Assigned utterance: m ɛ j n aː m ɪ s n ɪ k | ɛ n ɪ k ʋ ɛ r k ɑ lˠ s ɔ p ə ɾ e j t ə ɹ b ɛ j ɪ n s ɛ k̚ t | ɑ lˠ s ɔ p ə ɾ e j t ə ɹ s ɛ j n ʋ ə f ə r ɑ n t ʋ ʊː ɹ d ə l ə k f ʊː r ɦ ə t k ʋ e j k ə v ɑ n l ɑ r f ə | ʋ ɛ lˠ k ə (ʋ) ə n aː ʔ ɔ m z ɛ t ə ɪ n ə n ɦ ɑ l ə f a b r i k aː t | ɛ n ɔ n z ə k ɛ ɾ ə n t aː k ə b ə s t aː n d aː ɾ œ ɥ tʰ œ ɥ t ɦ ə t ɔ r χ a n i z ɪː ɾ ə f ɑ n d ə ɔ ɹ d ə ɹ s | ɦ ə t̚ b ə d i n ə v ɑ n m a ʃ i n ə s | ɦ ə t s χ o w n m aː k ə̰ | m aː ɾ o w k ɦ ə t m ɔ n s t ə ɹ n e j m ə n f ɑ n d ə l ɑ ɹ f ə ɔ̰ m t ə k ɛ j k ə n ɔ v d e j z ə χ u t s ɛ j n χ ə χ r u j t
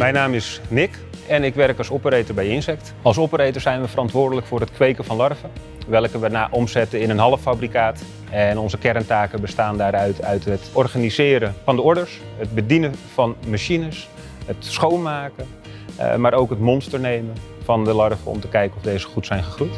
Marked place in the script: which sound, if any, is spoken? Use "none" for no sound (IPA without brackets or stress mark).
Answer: ʋ